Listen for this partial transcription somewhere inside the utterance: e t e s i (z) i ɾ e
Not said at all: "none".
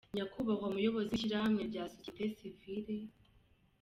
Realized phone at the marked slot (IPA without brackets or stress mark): v